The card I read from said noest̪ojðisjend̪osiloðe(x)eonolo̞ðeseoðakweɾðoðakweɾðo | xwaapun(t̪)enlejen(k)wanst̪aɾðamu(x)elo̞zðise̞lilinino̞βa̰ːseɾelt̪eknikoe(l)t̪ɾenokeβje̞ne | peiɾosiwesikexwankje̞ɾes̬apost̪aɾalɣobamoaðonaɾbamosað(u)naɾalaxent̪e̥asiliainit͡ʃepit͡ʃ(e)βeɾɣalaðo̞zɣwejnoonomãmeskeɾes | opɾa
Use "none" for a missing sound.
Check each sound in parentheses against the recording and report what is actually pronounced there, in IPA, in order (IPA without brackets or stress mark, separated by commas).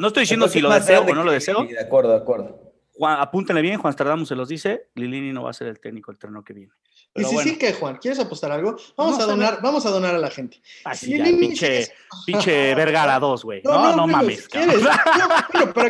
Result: s, t̪, x, s, l, o, e